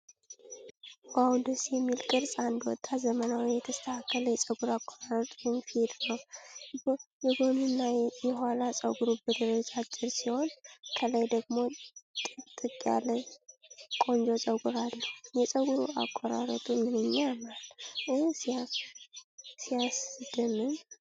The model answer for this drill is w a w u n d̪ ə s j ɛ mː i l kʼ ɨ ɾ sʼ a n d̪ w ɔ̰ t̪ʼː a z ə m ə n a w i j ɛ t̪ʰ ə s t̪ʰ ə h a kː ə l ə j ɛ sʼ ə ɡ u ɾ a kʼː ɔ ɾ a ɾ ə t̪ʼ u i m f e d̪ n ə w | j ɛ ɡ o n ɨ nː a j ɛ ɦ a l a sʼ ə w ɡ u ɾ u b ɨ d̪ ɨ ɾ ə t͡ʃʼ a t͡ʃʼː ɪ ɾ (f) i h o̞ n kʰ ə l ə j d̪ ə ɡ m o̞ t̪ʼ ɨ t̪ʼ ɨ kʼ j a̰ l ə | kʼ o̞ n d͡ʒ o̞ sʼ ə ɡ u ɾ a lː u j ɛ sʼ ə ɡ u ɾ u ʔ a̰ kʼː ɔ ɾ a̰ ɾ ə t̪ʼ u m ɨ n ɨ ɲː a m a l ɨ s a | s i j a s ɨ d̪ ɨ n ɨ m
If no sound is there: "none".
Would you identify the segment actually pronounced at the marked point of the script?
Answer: s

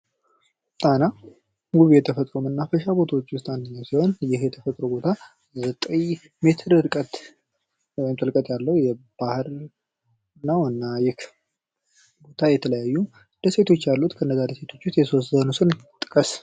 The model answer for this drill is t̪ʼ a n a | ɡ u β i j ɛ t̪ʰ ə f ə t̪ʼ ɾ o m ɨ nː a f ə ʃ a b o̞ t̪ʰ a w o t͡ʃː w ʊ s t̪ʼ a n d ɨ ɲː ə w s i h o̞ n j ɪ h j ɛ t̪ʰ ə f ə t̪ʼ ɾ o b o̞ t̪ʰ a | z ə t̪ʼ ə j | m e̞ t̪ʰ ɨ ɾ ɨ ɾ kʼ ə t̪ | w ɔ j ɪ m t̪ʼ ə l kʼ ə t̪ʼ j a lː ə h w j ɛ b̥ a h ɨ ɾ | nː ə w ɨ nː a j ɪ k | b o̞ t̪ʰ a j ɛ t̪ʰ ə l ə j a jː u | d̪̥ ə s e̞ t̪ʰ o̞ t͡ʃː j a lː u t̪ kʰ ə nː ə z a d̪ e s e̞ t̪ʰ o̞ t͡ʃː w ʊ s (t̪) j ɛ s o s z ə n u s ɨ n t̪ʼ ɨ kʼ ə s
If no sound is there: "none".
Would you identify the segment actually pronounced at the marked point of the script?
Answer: t̪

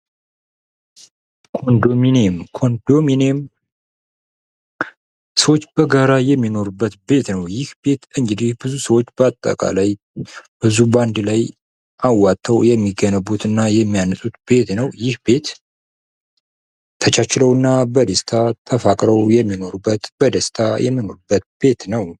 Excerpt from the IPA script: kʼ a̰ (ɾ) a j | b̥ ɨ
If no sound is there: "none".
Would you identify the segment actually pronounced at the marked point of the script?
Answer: l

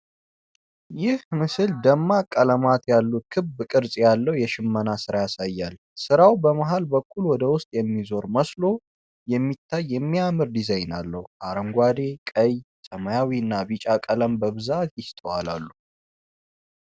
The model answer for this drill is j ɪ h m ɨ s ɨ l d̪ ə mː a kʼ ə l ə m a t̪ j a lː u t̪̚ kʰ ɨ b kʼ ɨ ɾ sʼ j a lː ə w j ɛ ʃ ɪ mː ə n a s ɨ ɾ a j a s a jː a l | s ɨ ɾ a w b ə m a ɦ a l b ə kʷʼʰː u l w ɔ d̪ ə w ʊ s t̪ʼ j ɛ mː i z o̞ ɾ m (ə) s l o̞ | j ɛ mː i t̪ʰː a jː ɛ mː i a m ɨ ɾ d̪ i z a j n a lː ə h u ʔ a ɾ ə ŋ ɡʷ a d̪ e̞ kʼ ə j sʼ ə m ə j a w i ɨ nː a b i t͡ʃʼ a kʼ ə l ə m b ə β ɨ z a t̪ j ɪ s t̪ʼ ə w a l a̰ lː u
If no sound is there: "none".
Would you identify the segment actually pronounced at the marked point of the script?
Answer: ə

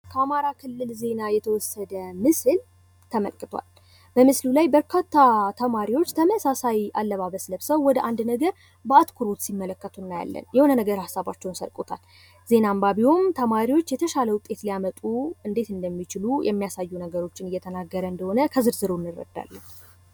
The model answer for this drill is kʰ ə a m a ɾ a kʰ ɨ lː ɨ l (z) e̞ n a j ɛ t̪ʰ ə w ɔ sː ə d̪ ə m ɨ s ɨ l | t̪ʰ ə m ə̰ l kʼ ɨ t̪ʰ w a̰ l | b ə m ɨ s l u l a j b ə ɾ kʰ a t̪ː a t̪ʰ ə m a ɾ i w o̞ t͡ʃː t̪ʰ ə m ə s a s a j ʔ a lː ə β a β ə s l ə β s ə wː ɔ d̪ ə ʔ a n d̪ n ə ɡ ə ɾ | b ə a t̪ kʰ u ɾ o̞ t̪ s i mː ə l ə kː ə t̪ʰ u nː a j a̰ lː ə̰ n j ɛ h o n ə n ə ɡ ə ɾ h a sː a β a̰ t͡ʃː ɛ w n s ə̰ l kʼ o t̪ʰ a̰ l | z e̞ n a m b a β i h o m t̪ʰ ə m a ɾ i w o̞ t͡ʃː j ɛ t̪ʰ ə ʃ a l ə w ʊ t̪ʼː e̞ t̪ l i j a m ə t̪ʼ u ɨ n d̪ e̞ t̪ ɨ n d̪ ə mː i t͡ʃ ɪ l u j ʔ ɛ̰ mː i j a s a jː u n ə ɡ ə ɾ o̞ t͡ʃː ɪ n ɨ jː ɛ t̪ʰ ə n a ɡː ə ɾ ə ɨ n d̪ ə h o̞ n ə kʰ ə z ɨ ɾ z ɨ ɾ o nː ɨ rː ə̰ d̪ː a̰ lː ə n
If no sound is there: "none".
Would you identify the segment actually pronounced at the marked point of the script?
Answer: z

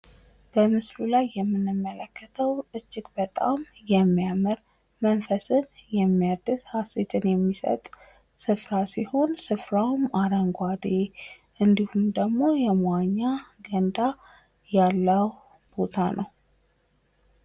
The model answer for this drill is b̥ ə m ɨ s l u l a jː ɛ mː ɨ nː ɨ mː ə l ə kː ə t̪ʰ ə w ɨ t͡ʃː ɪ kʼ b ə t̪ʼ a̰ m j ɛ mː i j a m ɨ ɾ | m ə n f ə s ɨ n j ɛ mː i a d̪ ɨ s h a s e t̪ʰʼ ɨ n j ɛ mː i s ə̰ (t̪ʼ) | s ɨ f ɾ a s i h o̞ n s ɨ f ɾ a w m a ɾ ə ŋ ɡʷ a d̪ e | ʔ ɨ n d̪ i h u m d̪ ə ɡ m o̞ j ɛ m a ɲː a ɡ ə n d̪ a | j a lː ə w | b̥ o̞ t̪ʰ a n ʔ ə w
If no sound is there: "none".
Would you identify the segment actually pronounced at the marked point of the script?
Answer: t̪ʼ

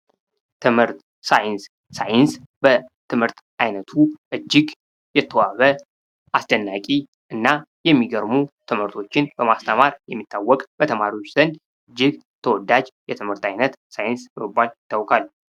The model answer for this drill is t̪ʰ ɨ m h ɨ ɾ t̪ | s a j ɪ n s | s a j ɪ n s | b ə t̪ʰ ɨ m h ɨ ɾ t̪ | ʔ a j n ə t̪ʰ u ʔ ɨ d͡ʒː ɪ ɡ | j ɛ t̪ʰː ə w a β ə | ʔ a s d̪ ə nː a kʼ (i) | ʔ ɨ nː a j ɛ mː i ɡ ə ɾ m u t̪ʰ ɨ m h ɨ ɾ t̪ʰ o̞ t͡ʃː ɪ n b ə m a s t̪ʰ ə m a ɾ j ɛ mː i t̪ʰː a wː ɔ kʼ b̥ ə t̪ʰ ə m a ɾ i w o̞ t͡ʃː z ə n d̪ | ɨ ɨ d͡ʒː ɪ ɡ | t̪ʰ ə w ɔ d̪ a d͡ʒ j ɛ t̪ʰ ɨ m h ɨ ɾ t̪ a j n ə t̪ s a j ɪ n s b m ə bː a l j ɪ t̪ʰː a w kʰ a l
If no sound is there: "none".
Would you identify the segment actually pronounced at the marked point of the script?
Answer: i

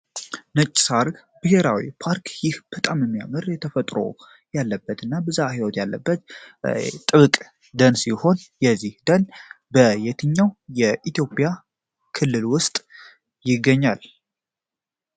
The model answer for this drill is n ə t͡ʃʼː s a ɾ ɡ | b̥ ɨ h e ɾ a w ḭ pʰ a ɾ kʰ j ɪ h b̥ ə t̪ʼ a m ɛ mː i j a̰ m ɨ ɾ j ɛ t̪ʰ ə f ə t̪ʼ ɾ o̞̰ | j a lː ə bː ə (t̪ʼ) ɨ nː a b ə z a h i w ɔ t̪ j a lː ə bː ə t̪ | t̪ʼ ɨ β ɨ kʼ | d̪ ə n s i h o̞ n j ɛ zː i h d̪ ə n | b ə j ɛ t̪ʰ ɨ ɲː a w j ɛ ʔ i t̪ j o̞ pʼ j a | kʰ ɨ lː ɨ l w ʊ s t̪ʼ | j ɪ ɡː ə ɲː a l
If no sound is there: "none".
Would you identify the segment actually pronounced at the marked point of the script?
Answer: t̪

